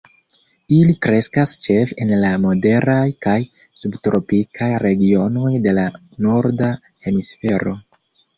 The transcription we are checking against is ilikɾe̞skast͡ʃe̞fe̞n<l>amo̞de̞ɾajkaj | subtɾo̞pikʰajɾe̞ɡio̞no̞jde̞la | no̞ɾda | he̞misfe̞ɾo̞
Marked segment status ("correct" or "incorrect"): correct